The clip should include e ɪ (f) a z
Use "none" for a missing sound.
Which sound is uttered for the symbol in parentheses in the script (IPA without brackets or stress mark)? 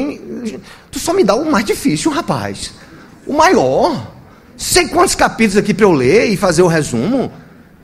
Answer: f